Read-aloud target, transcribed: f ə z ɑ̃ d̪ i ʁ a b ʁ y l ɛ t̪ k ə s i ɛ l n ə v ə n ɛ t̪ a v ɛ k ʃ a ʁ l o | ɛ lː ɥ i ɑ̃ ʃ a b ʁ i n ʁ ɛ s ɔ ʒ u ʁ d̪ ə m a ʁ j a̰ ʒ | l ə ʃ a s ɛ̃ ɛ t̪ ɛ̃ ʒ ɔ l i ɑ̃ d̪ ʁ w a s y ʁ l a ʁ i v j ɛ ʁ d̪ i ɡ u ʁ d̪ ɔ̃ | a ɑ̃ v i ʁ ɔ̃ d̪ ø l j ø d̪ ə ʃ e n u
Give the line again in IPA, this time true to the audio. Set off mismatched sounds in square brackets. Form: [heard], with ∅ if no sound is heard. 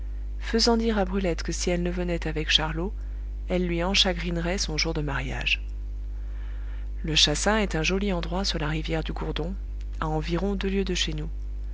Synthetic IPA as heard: f ə z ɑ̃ d̪ i ʁ a b ʁ y l ɛ t̪ k ə s i ɛ l n ə v ə n ɛ t̪ a v ɛ k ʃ a ʁ l o | ɛ lː ɥ i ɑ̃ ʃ a [ɡ] ʁ i n ʁ ɛ s [ɔ̃] ʒ u ʁ d̪ ə m a ʁ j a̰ ʒ | l ə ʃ a s ɛ̃ ɛ t̪ ɛ̃ ʒ ɔ l i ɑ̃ d̪ ʁ w a s y ʁ l a ʁ i v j ɛ ʁ d̪ [y] ɡ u ʁ d̪ ɔ̃ | a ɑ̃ v i ʁ ɔ̃ d̪ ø l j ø d̪ ə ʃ e n u

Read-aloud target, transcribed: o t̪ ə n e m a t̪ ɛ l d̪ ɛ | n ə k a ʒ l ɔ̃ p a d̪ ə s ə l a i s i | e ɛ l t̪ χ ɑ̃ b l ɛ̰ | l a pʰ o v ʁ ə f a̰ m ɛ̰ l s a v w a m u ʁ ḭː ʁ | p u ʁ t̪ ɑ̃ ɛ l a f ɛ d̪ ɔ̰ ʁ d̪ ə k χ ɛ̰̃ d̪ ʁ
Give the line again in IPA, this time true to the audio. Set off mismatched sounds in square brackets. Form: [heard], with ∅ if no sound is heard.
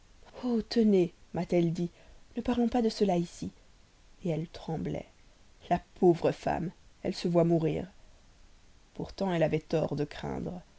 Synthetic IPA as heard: o t̪ ə n e m a t̪ ɛ l d̪ [i] | n ə [p] a [ʁ] l ɔ̃ p a d̪ ə s ə l a i s i | e ɛ l t̪ χ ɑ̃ b l ɛ̰ | l a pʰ o v ʁ ə f a̰ m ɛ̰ l s [ə] v w a m u ʁ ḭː ʁ | p u ʁ t̪ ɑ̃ ɛ l a [v] ɛ [t̪] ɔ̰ ʁ d̪ ə k χ ɛ̰̃ d̪ ʁ

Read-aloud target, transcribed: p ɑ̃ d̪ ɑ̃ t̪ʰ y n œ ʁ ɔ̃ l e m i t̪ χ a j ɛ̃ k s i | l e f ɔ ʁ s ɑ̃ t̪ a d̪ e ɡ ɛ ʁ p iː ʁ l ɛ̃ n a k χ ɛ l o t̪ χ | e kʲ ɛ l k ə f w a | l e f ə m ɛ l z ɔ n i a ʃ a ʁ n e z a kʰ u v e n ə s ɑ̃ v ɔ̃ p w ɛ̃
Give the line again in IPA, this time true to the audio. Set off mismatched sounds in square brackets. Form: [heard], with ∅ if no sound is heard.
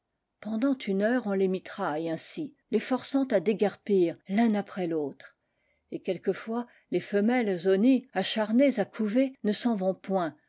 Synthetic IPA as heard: p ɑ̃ d̪ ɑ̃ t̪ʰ y n œ ʁ ɔ̃ l e m i t̪ χ a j ɛ̃ [∅] s i | l e f ɔ ʁ s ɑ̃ t̪ a d̪ e ɡ ɛ ʁ p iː ʁ l ɛ̃ n a [p] χ ɛ l o t̪ χ | e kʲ ɛ l k ə f w a | l e f ə m ɛ l z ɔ n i a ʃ a ʁ n e z a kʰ u v e n ə s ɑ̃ v ɔ̃ p w ɛ̃

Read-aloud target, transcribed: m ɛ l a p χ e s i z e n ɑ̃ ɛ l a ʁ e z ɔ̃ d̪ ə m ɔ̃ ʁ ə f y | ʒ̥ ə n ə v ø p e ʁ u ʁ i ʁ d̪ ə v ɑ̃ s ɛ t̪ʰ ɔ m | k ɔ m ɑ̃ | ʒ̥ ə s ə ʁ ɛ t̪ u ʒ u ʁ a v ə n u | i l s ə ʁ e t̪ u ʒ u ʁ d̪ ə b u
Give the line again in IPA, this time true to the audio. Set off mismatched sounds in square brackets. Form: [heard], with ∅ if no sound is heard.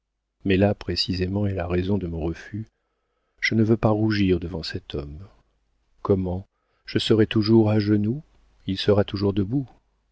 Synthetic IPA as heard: m ɛ l a p χ e s i z e [m] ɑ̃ ɛ l a ʁ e z ɔ̃ d̪ ə m ɔ̃ ʁ ə f y | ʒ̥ ə n ə v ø p [a] ʁ u [ʒ] i ʁ d̪ ə v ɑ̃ s ɛ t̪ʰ ɔ m | k ɔ m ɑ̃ | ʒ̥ ə s ə ʁ ɛ t̪ u ʒ u ʁ a [ʒ] ə n u | i l s ə ʁ [a] t̪ u ʒ u ʁ d̪ ə b u

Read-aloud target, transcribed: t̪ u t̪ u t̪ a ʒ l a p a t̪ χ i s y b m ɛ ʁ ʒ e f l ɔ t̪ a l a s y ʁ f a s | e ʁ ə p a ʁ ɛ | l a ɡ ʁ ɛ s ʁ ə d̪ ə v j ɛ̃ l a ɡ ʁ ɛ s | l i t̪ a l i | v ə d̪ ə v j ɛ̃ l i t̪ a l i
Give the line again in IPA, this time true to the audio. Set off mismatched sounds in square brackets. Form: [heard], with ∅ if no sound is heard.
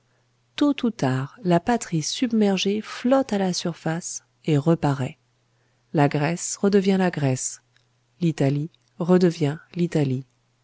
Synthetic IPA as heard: t̪ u t̪ u t̪ a [ʁ] l a p a t̪ χ i s y b m ɛ ʁ ʒ e f l ɔ t̪ a l a s y ʁ f a s | e ʁ ə p a ʁ ɛ | l a ɡ ʁ ɛ s ʁ ə d̪ ə v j ɛ̃ l a ɡ ʁ ɛ s | l i t̪ a l i | [ʁ] ə d̪ ə v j ɛ̃ l i t̪ a l i

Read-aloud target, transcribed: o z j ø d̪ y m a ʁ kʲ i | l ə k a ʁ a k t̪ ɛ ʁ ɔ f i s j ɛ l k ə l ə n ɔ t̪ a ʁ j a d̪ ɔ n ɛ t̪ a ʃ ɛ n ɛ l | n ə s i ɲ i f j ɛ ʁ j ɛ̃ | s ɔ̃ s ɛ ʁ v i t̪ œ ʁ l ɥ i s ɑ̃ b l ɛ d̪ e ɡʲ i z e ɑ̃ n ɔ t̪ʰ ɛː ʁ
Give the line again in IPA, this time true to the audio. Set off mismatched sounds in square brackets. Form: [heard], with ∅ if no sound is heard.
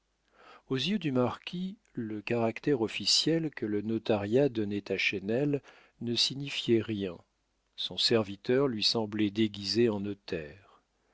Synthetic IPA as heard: o z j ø d̪ y m a ʁ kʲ i | l ə k a ʁ a k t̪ ɛ ʁ ɔ f i s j ɛ l k ə l ə n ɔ t̪ a ʁ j a d̪ ɔ n ɛ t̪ a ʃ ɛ n ɛ l | n ə s i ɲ i f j ɛ ʁ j ɛ̃ | s ɔ̃ s ɛ ʁ v i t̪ œ ʁ l ɥ i s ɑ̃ b l ɛ d̪ e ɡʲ i z e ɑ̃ n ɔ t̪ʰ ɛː ʁ

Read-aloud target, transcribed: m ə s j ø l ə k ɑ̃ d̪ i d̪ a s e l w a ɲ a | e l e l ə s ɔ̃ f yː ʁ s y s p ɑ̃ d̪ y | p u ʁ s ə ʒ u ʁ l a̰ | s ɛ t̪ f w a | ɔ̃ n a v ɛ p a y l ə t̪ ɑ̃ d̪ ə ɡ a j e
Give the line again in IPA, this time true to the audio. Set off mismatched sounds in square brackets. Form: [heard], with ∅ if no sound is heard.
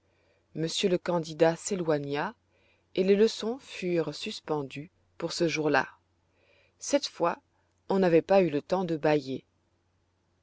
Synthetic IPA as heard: m ə s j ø l ə k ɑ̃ d̪ i d̪ a s e l w a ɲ a | e l e l ə s ɔ̃ f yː ʁ s y s p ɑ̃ d̪ y | p u ʁ s ə ʒ u ʁ l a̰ | s ɛ t̪ f w a | ɔ̃ n a v ɛ p a y l ə t̪ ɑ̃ d̪ ə [b] a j e

